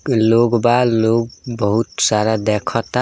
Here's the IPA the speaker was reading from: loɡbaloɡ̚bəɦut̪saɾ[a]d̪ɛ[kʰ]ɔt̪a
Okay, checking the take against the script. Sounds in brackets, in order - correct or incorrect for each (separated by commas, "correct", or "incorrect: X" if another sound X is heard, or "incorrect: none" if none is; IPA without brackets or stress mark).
correct, correct